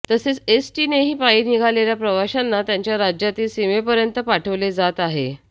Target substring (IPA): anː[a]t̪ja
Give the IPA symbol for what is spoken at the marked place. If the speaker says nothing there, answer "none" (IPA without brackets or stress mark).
a